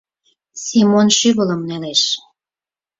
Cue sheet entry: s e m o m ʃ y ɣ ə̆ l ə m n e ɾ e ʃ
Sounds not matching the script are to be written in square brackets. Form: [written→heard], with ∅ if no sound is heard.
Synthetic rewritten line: s [e→i] m o [m→n] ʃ y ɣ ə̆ l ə m n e [ɾ→l] e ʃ